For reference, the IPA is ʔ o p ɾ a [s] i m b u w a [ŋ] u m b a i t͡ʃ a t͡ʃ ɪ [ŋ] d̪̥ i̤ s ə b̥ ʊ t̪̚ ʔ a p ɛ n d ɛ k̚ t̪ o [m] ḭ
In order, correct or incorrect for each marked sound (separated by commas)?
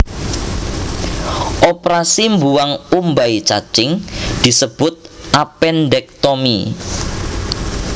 correct, correct, correct, correct